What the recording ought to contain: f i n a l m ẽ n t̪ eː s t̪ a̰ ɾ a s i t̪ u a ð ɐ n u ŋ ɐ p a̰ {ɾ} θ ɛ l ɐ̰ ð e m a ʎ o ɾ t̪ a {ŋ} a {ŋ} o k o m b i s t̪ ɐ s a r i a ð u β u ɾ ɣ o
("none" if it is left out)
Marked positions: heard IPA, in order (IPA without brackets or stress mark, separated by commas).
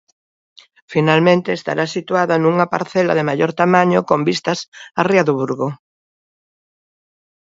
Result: ɾ, m, ɲ